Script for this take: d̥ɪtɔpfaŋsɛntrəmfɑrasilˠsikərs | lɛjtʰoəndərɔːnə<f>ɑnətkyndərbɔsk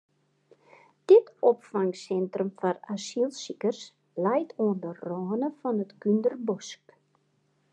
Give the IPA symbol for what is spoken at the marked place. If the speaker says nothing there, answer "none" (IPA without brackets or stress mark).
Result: f